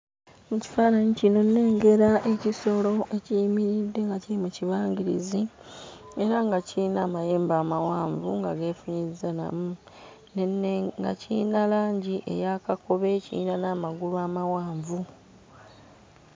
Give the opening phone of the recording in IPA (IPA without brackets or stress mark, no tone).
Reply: m